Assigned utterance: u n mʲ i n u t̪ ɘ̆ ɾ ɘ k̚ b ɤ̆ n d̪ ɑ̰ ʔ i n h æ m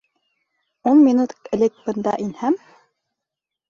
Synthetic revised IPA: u n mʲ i n u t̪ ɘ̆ l ɘ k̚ b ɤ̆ n d̪ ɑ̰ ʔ i n h æ m